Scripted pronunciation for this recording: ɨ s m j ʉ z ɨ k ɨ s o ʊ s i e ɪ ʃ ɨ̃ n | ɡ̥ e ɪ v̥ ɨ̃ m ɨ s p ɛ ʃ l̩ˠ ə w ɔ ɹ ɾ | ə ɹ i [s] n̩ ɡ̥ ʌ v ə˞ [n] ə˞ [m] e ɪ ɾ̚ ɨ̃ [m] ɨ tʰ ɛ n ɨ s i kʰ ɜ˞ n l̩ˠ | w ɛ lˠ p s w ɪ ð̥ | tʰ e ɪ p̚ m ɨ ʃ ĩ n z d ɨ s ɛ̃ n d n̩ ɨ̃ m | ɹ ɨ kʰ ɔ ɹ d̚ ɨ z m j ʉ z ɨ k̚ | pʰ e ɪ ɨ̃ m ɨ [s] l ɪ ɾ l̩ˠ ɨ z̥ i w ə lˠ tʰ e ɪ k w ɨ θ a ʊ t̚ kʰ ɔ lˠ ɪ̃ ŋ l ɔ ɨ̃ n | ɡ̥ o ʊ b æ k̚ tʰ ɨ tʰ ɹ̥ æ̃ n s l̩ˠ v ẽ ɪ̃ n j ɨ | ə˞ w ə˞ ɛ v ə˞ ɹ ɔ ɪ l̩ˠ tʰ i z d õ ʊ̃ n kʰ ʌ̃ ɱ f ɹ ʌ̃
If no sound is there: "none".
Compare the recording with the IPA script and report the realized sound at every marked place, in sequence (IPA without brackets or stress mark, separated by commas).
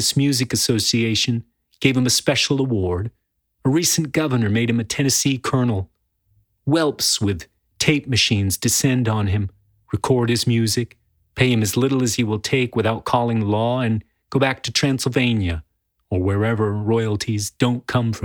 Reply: s, n, m, m, z